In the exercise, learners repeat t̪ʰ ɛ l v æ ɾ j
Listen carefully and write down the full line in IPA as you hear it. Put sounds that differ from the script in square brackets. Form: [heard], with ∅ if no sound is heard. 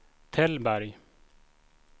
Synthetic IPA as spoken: t̪ʰ ɛ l [b] æ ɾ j